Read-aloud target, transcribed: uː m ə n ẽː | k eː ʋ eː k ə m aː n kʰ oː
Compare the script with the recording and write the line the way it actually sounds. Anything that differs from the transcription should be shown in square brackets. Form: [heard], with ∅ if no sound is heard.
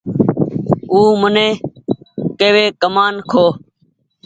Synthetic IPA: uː m ə n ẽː | k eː ʋ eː k ə m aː n kʰ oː

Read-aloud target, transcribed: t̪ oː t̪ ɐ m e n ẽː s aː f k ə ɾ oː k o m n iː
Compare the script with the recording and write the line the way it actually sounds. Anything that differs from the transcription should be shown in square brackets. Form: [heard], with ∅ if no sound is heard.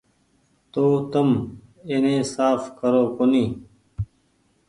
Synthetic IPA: t̪ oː t̪ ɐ m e n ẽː s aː f k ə ɾ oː k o [∅] n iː

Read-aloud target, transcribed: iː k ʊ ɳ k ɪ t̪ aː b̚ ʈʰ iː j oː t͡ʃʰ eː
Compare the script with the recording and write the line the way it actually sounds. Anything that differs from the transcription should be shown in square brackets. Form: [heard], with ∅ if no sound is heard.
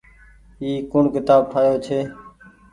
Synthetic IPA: iː k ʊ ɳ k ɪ t̪ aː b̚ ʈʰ [aː] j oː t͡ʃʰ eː

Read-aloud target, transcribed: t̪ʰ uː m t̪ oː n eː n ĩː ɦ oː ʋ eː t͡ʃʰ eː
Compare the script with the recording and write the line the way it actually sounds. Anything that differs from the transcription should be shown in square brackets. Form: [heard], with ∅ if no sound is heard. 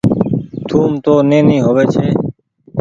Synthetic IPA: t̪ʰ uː m t̪ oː n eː n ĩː ɦ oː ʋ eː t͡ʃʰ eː

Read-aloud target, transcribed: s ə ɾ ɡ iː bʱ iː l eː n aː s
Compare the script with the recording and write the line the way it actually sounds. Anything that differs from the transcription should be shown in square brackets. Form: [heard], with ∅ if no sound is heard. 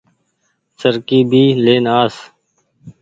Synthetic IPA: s ə ɾ [k] iː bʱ iː l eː n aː s

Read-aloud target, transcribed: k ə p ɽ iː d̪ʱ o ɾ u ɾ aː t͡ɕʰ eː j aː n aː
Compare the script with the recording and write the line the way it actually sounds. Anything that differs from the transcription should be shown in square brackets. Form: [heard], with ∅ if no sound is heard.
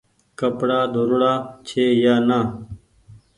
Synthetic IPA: k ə p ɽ [aː] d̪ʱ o ɾ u [ɽ] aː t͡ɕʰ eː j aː n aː

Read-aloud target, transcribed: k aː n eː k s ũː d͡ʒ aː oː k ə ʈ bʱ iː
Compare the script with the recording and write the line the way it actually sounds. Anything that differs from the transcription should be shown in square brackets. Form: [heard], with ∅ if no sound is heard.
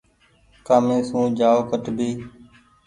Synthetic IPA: k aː [m] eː [∅] s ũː d͡ʒ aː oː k ə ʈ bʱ iː

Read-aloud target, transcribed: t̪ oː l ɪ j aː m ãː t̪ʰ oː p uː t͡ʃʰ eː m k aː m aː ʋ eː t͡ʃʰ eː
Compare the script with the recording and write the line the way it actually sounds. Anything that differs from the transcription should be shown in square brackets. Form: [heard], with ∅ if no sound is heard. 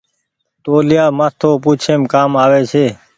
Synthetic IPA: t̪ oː l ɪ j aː m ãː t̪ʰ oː p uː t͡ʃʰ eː m k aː m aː ʋ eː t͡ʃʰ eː

